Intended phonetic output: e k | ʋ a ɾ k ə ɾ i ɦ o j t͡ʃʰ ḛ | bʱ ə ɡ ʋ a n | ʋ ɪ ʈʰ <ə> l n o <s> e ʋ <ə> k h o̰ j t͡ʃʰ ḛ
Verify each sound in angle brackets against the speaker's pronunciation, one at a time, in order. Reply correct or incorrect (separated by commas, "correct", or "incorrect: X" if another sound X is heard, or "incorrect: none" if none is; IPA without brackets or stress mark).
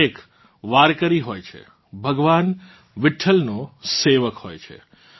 correct, correct, correct